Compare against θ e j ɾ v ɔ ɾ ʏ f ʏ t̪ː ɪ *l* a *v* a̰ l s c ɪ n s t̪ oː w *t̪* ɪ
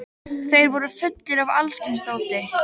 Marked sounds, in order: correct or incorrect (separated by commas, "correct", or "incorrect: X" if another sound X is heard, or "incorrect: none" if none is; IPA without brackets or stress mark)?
incorrect: ɾ, correct, correct